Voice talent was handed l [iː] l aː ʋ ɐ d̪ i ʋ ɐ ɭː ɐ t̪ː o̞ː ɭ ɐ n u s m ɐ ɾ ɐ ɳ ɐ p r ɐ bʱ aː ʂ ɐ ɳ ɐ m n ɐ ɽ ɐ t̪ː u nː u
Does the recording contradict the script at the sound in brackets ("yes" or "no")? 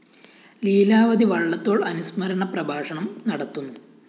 no